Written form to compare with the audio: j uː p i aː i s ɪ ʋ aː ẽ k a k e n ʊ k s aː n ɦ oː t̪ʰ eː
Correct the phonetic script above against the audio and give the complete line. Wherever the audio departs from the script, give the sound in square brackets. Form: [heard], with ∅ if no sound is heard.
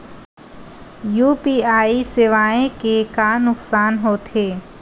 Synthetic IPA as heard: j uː p i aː i s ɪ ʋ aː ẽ k [e] k [a] n ʊ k s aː n ɦ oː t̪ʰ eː